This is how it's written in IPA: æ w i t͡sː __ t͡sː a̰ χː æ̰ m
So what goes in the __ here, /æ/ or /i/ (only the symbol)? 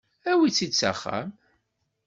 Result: i